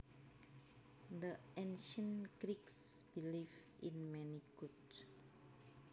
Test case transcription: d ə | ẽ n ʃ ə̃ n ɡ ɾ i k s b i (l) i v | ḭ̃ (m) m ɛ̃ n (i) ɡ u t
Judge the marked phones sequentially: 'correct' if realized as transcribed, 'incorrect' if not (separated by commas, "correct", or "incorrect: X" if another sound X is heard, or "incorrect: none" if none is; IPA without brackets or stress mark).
correct, incorrect: n, correct